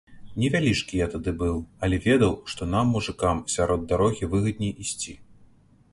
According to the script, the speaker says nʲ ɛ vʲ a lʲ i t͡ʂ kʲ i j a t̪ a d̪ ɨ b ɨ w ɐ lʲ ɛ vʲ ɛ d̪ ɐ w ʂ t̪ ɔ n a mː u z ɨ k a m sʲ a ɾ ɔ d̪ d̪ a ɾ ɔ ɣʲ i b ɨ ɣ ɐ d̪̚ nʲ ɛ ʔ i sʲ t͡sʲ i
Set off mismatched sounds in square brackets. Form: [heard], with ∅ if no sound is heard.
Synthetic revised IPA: nʲ ɛ vʲ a lʲ i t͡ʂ kʲ i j a t̪ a d̪ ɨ b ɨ w ɐ lʲ ɛ vʲ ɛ d̪ ɐ w ʂ t̪ ɔ n a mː u [ʐ] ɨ k a m sʲ a ɾ ɔ d̪ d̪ a ɾ ɔ ɣʲ i [v] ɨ ɣ ɐ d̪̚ nʲ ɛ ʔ i sʲ t͡sʲ i